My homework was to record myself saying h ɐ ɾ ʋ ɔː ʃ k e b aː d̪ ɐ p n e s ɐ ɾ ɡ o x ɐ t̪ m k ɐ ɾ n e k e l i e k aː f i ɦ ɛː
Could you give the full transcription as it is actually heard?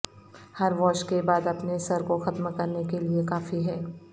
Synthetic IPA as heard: h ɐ ɾ ʋ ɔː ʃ k e b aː d̪ ɐ p n e s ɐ ɾ k o x ɐ t̪ m k ɐ ɾ n e k e l i e k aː f i ɦ ɛː